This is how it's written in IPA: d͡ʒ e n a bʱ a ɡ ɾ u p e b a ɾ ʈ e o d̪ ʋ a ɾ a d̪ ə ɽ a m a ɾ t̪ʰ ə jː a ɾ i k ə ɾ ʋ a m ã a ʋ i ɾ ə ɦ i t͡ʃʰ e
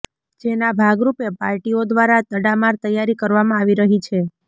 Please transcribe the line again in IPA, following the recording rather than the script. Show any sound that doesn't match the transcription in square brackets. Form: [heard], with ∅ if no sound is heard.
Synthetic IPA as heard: d͡ʒ e n a bʱ a ɡ ɾ u p e [p] a ɾ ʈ [i] o d̪ ʋ a ɾ a [t̪] ə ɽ a m a ɾ [t̪] ə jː a ɾ i k ə ɾ ʋ a m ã a ʋ i ɾ ə ɦ i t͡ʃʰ e